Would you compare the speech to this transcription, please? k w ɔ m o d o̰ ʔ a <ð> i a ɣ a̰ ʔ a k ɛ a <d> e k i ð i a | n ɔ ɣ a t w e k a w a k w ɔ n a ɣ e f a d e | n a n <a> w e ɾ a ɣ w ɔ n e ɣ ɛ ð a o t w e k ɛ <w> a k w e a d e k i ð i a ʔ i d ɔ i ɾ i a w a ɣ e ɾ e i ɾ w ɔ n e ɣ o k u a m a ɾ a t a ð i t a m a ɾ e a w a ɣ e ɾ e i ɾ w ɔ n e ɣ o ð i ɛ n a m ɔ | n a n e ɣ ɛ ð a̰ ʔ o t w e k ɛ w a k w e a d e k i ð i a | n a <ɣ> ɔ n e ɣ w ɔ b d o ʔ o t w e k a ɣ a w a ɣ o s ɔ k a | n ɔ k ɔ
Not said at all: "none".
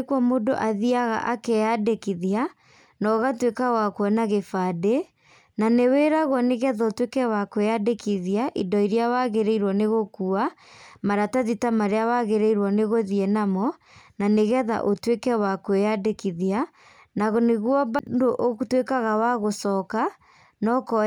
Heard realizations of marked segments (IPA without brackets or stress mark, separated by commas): ð, d, e, w, ɣ